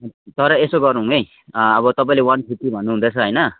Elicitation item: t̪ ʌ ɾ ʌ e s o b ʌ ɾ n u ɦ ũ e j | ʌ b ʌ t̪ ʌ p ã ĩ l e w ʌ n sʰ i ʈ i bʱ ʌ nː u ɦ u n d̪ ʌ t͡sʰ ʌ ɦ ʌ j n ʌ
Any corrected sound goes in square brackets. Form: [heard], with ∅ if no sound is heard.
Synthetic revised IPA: t̪ ʌ ɾ ʌ e s o [ɡ] ʌ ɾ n u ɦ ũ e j | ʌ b ʌ t̪ ʌ p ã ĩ l e w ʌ n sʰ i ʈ i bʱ ʌ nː u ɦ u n d̪ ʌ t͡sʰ ʌ ɦ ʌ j n ʌ